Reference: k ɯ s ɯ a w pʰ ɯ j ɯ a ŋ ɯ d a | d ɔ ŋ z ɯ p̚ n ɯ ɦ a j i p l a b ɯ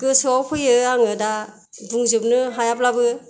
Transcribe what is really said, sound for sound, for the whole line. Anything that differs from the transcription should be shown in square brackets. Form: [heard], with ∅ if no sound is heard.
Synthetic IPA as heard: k ɯ s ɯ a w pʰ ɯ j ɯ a ŋ ɯ d a | d [u] ŋ z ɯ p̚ n ɯ ɦ a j [a] p l a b ɯ